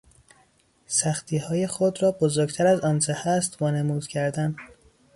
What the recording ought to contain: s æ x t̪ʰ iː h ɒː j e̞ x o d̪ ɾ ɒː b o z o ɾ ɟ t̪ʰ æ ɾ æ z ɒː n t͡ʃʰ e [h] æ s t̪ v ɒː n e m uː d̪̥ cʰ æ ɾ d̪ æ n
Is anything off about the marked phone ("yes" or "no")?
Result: no